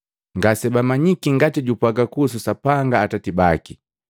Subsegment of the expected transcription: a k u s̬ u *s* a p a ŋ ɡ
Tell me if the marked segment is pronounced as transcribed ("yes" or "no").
yes